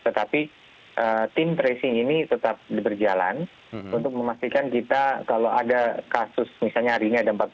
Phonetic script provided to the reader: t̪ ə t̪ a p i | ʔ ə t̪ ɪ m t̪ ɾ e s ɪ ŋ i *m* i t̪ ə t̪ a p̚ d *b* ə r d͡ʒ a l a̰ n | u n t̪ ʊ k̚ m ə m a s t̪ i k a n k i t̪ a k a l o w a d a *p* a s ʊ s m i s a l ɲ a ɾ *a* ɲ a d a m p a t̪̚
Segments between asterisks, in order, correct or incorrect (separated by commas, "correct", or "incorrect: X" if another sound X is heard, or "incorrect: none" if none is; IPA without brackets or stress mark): incorrect: n, correct, incorrect: k, incorrect: i